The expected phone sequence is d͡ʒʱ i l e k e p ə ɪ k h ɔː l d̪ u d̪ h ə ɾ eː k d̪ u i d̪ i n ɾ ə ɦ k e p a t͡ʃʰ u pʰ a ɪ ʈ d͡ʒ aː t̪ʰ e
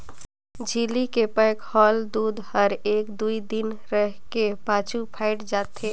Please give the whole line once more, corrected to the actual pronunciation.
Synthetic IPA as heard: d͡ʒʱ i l i k e p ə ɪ k h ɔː l d̪ u d̪ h ə ɾ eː k d̪ u i d̪ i n ɾ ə ɦ k e p a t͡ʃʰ u pʰ a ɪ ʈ d͡ʒ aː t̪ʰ e